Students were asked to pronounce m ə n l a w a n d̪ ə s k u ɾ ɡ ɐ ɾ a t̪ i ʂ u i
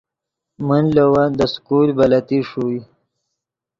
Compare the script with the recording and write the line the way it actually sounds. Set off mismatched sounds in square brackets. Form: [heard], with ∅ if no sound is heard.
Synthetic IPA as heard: m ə n l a w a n d̪ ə s k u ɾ [b] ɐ [l] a t̪ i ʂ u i

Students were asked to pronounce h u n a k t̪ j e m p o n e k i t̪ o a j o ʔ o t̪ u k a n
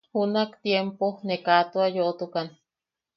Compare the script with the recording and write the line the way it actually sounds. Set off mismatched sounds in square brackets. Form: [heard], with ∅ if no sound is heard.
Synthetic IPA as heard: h u n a k t̪ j e m p o n e k [a] t̪ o a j o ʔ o t̪ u k a n

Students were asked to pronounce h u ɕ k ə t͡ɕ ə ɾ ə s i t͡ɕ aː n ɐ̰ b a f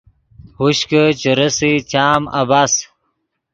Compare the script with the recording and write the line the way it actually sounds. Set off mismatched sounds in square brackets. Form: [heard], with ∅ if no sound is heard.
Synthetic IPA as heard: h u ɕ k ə t͡ɕ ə ɾ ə s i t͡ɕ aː [m] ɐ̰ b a [s]

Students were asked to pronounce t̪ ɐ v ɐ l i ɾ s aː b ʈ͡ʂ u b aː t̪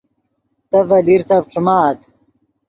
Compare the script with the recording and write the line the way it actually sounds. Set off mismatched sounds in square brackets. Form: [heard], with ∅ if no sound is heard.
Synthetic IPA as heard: t̪ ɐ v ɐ l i ɾ s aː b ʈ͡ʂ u [m] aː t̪

